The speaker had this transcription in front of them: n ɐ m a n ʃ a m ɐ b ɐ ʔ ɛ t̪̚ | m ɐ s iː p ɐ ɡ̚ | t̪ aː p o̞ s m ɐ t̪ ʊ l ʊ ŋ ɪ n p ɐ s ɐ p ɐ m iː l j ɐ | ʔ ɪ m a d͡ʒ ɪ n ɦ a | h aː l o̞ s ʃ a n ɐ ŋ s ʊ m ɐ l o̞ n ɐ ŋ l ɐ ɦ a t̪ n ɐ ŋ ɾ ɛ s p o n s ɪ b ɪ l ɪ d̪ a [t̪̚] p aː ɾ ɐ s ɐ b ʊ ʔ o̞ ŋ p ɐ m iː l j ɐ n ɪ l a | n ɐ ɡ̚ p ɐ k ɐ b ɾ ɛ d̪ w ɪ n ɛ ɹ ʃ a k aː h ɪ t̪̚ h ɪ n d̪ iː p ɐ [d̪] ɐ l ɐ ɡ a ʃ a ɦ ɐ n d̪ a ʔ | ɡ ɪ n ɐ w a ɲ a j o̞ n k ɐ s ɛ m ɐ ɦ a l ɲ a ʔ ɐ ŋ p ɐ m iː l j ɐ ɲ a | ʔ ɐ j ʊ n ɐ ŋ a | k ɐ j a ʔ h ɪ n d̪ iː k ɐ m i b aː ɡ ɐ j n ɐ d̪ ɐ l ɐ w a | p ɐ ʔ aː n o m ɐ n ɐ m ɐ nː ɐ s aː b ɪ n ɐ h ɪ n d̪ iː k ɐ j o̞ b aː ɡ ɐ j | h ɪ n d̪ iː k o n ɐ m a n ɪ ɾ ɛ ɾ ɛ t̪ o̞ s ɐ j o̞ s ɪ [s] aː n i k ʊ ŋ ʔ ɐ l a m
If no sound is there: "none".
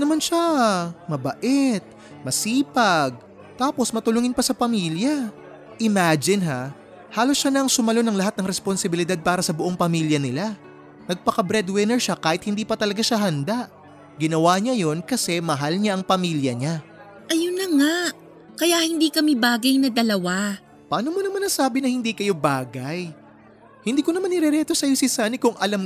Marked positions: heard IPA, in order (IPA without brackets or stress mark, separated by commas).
d̪̚, t̪, s